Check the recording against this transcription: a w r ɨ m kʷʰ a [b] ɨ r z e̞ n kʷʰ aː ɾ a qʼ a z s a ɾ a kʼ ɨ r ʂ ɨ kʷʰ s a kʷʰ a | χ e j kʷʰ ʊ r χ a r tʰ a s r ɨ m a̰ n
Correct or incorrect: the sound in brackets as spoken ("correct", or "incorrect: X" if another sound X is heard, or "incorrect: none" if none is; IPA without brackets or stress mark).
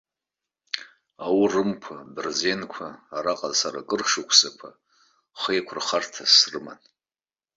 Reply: correct